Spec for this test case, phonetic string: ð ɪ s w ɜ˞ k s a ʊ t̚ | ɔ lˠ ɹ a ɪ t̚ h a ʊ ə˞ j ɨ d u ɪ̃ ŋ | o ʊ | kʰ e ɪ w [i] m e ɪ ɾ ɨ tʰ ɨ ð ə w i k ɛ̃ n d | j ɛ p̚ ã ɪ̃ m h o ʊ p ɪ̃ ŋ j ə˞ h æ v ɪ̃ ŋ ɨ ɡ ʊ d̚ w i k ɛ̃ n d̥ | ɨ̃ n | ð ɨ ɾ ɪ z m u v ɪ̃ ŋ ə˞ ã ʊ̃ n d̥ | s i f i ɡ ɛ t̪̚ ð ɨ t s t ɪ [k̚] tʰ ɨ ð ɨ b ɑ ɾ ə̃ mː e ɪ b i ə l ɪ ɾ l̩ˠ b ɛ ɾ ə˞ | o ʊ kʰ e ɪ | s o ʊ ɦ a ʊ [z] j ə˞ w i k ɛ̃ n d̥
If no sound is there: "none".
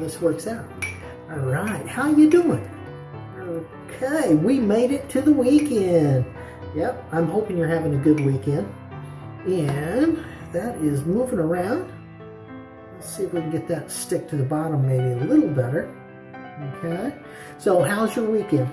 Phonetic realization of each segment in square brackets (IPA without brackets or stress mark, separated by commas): i, k̚, z